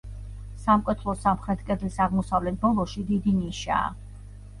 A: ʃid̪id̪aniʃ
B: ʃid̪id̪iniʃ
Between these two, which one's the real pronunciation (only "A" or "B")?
B